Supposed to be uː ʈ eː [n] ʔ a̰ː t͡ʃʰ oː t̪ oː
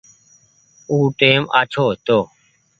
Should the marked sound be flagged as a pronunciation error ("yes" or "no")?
yes